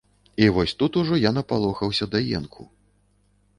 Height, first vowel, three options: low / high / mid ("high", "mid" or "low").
high